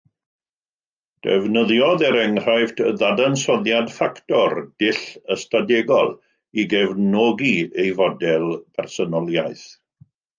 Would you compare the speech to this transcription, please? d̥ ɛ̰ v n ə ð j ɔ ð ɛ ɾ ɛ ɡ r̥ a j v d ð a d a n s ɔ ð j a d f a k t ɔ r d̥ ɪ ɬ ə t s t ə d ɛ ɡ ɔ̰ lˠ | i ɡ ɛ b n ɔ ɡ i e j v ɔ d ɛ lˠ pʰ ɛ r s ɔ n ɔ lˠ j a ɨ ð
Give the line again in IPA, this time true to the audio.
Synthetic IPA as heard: d̥ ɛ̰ v n ə ð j ɔ ð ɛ ɾ ɛ ŋ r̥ a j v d ð a d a n s ɔ ð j a d f a k t ɔ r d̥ ɪ ɬ ə s t a d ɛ ɡ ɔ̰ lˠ | i ɡ ɛ v n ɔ ɡ i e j v ɔ d ɛ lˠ pʰ ɛ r s ɔ n ɔ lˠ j a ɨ θ